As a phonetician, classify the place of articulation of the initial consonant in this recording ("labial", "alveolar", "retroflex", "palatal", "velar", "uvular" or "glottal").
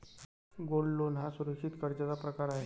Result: velar